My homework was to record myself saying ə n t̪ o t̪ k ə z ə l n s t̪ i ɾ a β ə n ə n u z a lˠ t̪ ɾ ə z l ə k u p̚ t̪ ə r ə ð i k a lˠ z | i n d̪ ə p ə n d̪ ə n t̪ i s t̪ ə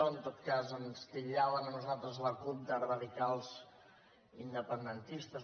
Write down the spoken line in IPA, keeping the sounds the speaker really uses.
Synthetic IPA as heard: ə n t̪ o t̪ k a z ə n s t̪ i ʎ a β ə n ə n u z a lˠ t̪ ɾ ə z l ə k u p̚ d̪ ə r ə ð i k a lˠ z | i n d̪ ə p ə n d̪ ə n t̪ i s t̪ ə